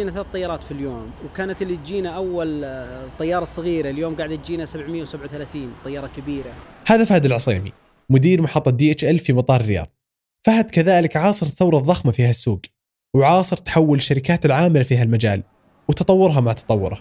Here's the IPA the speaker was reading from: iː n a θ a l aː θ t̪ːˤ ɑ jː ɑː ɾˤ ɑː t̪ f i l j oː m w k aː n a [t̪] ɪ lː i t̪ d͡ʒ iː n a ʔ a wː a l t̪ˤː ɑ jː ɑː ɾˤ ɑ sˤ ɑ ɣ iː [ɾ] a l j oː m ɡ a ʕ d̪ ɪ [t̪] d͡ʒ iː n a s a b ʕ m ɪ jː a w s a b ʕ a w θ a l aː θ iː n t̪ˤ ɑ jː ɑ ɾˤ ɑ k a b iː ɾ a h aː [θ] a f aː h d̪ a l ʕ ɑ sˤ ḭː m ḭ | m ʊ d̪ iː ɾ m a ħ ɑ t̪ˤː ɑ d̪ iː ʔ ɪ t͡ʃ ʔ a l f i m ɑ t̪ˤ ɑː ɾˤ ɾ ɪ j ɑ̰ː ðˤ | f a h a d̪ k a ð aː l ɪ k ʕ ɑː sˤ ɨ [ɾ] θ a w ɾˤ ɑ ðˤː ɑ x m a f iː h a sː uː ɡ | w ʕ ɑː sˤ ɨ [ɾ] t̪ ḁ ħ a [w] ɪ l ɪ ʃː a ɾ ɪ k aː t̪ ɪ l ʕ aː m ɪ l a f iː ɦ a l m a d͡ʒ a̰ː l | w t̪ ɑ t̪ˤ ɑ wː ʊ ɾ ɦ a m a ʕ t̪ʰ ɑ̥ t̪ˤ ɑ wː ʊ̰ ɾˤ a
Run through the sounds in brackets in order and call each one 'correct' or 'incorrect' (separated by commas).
correct, correct, correct, incorrect, correct, correct, incorrect